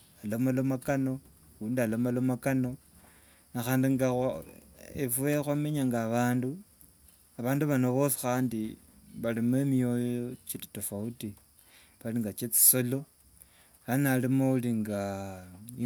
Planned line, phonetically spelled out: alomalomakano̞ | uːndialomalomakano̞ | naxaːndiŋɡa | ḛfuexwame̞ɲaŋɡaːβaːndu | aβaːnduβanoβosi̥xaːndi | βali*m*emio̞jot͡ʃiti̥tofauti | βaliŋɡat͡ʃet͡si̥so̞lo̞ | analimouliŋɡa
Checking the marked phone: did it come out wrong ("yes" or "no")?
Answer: no